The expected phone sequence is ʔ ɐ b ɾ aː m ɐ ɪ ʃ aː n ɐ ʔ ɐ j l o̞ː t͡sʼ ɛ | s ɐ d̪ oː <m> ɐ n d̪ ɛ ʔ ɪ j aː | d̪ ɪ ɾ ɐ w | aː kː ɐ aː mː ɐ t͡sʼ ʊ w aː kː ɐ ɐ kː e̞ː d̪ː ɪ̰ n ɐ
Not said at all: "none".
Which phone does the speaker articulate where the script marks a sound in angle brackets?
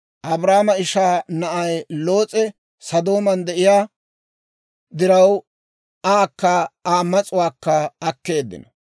m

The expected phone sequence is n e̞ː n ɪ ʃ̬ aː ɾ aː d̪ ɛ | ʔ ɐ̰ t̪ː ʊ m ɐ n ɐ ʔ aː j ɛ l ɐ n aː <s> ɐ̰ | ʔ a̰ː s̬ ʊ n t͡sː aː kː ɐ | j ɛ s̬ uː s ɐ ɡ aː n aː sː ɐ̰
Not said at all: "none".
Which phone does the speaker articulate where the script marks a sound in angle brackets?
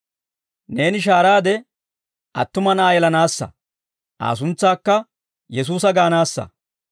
sː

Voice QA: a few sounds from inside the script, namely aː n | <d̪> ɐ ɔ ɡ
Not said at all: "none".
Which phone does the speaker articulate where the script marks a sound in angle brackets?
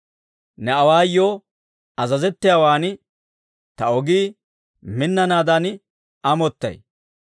t̪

